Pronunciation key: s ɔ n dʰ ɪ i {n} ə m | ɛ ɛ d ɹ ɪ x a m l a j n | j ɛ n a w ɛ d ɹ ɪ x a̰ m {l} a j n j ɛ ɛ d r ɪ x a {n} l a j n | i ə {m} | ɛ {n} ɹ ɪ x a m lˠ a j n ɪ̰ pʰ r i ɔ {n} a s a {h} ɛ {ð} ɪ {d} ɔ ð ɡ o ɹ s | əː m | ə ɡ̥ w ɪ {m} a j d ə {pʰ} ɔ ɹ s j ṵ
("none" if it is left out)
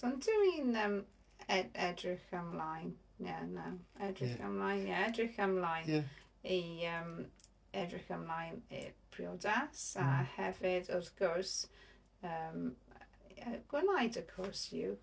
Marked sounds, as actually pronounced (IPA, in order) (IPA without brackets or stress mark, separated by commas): n, l, m, m, d, d, h, v, d, n, kʰ